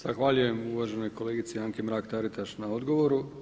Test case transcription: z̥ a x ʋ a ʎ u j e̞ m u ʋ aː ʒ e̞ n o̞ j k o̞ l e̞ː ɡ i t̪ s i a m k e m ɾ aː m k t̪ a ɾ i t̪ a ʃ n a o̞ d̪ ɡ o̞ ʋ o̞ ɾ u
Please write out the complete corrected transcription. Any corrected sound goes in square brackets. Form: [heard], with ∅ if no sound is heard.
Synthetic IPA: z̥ a x ʋ a ʎ u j e̞ m u ʋ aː ʒ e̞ n o̞ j k o̞ l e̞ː ɡ i t̪ s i a [ŋ] k e m ɾ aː [∅] k t̪ a ɾ i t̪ a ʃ n a o̞ d̪ ɡ o̞ ʋ o̞ ɾ u